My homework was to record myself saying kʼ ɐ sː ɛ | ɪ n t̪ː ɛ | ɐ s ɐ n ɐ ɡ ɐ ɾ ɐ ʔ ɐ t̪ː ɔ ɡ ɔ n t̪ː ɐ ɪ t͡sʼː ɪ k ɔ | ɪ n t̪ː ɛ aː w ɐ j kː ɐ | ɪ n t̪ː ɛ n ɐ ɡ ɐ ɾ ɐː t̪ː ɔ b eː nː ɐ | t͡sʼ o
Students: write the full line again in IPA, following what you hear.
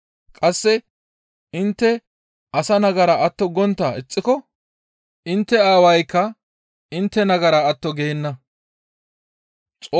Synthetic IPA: kʼ ɐ sː ɛ | ɪ n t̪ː ɛ | ɐ s ɐ n ɐ ɡ ɐ ɾ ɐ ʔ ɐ t̪ː ɔ ɡ ɔ n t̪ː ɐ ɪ t͡sʼː ɪ k ɔ | ɪ n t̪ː ɛ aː w ɐ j kː ɐ | ɪ n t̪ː ɛ n ɐ ɡ ɐ ɾ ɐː t̪ː ɔ ɡ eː nː ɐ | t͡sʼ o

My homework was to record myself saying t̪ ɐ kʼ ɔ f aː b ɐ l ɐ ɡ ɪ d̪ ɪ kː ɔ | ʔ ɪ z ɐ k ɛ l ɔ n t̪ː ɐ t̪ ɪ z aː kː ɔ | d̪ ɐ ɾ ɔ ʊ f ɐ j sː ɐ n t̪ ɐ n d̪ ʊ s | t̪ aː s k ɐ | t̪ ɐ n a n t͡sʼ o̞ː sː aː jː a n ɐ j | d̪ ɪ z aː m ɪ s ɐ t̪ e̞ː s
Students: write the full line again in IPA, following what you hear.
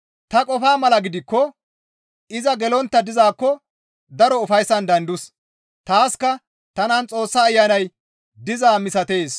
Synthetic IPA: t̪ ɐ kʼ ɔ f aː m ɐ l ɐ ɡ ɪ d̪ ɪ kː ɔ | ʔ ɪ z ɐ ɡ ɛ l ɔ n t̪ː ɐ d̪ ɪ z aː kː ɔ | d̪ ɐ ɾ ɔ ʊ f ɐ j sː ɐ n d̪ ɐ n d̪ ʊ s | t̪ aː s k ɐ | t̪ ɐ n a n t͡sʼ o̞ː sː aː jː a n ɐ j | d̪ ɪ z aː m ɪ s ɐ t̪ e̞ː s

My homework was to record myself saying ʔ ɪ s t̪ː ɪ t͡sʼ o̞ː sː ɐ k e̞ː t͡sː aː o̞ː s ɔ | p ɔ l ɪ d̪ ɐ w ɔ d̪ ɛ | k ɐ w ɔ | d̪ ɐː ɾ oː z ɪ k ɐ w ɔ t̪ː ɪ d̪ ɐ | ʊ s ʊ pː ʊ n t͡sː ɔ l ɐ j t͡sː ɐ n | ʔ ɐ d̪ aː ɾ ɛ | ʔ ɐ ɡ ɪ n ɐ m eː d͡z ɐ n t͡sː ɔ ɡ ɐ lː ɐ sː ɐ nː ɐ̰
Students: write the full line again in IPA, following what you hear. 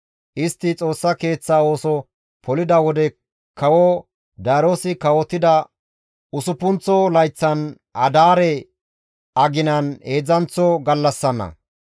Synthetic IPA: ʔ ɪ s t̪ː ɪ t͡sʼ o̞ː sː ɐ k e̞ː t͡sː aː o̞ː s ɔ | p ɔ l ɪ d̪ ɐ w ɔ d̪ ɛ | k ɐ w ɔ | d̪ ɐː ɾ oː s ɪ k ɐ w ɔ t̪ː ɪ d̪ ɐ | ʊ s ʊ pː ʊ n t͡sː ɔ l ɐ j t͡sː ɐ n | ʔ ɐ d̪ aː ɾ ɛ | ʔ ɐ ɡ ɪ n ɐ n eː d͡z ɐ n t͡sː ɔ ɡ ɐ lː ɐ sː ɐ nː ɐ̰

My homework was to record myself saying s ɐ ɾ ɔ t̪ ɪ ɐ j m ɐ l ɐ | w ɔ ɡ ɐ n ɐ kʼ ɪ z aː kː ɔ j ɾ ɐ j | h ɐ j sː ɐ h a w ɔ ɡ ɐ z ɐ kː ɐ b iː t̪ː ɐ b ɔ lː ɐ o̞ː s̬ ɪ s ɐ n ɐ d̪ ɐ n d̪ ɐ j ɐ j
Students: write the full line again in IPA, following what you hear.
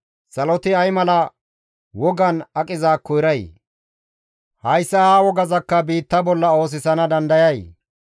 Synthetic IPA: s ɐ l ɔ t̪ ɪ ɐ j m ɐ l ɐ | w ɔ ɡ ɐ n ɐ kʼ ɪ z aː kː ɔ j ɾ ɐ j | h ɐ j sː ɐ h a w ɔ ɡ ɐ z ɐ kː ɐ b iː t̪ː ɐ b ɔ lː ɐ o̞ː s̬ ɪ s ɐ n ɐ d̪ ɐ n d̪ ɐ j ɐ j

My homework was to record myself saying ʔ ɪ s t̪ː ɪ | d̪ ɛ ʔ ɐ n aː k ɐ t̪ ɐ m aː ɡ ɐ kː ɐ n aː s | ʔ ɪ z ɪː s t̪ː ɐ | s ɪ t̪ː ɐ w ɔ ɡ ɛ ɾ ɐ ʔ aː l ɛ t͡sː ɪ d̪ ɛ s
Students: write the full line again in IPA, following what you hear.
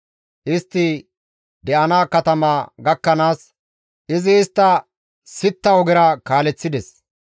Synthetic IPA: ʔ ɪ s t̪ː ɪ | d̪ ɛ ʔ ɐ n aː k ɐ t̪ ɐ m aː ɡ ɐ kː ɐ n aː s | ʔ ɪ z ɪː s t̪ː ɐ | s ɪ t̪ː ɐ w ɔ ɡ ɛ ɾ ɐ k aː l ɛ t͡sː ɪ d̪ ɛ s

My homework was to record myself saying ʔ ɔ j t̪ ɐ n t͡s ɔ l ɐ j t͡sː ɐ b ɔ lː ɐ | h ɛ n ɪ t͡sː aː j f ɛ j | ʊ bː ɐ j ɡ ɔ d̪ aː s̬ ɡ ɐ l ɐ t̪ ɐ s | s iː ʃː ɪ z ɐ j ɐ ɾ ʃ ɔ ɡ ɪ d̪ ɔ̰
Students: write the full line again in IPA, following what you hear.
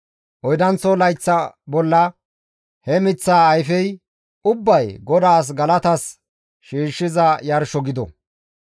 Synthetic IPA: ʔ ɔ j d̪ ɐ n t͡s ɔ l ɐ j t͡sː ɐ b ɔ lː ɐ | h ɛ m ɪ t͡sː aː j f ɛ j | ʊ bː ɐ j ɡ ɔ d̪ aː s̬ ɡ ɐ l ɐ t̪ ɐ s | ʃ iː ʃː ɪ z ɐ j ɐ ɾ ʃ ɔ ɡ ɪ d̪ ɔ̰

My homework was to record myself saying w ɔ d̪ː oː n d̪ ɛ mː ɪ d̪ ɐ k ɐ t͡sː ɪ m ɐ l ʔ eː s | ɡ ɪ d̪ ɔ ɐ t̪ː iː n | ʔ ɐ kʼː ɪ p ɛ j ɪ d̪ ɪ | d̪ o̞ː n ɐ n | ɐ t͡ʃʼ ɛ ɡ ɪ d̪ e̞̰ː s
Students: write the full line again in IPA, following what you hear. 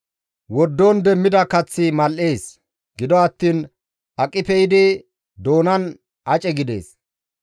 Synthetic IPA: w ɔ d̪ː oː n d̪ ɛ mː ɪ d̪ ɐ k ɐ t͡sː ɪ m ɐ l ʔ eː s | ɡ ɪ d̪ ɔ ɐ t̪ː iː n | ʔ ɐ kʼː ɪ p ɛ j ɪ d̪ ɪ | d̪ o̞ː n ɐ n | ɐ t͡ʃʼ ɛ ɡ ɪ d̪ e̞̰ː s

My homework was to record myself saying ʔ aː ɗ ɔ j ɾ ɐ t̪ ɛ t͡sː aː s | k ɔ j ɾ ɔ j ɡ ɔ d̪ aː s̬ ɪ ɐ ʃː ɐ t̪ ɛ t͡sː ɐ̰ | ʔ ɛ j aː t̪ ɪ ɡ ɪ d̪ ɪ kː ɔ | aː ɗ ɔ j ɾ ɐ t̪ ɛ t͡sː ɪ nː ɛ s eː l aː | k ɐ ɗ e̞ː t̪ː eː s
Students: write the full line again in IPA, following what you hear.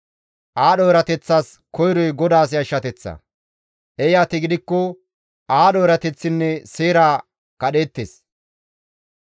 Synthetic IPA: ʔ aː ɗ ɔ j ɾ ɐ t̪ ɛ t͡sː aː s | k ɔ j ɾ ɔ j ɡ ɔ d̪ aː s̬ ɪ ɐ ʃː ɐ t̪ ɛ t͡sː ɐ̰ | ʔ ɛ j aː t̪ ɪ ɡ ɪ d̪ ɪ kː ɔ | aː ɗ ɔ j ɾ ɐ t̪ ɛ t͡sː ɪ nː ɛ s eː ɾ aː | k ɐ ɗ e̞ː t̪ː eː s

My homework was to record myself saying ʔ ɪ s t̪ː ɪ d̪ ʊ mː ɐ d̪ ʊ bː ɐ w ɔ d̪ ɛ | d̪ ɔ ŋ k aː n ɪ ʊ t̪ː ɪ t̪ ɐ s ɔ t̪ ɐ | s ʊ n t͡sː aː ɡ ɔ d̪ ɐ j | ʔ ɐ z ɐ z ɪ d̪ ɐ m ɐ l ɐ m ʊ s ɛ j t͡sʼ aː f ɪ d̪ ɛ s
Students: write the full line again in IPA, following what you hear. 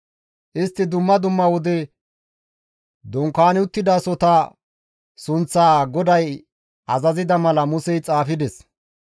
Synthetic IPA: ʔ ɪ s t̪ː ɪ d̪ ʊ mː ɐ d̪ ʊ mː ɐ w ɔ d̪ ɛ | d̪ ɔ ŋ k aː n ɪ ʊ t̪ː ɪ d̪ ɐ s ɔ t̪ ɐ | s ʊ n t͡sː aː ɡ ɔ d̪ ɐ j | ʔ ɐ z ɐ z ɪ d̪ ɐ m ɐ l ɐ m ʊ s ɛ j t͡sʼ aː f ɪ d̪ ɛ s

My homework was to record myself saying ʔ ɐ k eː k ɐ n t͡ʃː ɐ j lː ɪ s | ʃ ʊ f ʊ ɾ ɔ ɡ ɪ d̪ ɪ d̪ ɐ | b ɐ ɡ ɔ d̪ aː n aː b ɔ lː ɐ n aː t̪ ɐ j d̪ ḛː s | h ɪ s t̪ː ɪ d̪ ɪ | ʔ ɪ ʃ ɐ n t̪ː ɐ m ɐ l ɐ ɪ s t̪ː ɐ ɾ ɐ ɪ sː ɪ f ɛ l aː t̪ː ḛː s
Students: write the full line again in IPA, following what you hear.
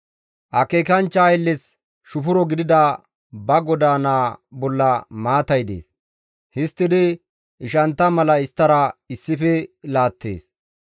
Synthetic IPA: ʔ ɐ k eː k ɐ n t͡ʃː ɐ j lː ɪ s | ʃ ʊ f ʊ ɾ ɔ ɡ ɪ d̪ ɪ d̪ ɐ | b ɐ ɡ ɔ d̪ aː n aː b ɔ lː ɐ m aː t̪ ɐ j d̪ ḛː s | h ɪ s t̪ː ɪ d̪ ɪ | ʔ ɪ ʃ ɐ n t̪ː ɐ m ɐ l ɐ ɪ s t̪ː ɐ ɾ ɐ ɪ sː ɪ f ɛ l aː t̪ː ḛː s

